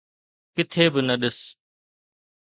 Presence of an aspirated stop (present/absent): present